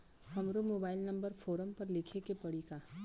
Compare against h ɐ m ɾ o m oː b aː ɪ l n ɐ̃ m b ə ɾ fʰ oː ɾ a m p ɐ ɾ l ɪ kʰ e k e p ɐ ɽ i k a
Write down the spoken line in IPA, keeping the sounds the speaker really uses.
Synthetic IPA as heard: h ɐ m ɾ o m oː b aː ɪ l n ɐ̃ m b ə ɾ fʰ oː ɾ ə m p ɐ ɾ l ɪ kʰ e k e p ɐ ɽ i k a